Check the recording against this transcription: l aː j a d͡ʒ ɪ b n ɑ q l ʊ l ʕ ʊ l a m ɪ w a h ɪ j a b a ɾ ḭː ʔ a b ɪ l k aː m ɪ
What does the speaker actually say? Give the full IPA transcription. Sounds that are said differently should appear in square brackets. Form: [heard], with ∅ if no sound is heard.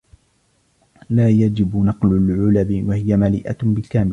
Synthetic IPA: l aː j a d͡ʒ ɪ b n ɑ q l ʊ l ʕ ʊ l a [b] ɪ w a h ɪ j a [m] a [l] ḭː ʔ a b ɪ l k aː m ɪ